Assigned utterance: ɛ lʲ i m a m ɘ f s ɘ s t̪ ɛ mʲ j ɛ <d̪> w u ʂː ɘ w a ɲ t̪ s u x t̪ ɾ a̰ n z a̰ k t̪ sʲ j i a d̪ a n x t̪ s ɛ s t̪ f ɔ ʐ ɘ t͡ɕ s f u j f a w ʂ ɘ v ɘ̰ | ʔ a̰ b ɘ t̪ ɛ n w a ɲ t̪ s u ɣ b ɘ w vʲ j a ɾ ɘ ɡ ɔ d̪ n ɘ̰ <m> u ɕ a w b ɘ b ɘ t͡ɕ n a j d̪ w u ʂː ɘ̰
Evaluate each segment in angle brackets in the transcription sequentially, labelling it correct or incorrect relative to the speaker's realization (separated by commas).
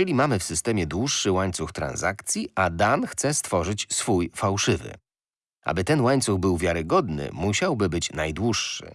correct, correct